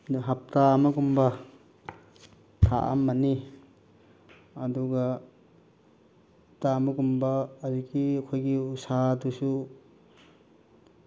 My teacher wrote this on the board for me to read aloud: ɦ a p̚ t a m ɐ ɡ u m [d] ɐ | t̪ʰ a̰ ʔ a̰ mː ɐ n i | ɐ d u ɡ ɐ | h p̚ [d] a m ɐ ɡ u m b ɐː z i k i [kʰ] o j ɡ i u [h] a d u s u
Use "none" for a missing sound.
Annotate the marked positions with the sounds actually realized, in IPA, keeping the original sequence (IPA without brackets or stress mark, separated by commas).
b, t, kʰ, s